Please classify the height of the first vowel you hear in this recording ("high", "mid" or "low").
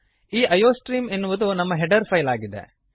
high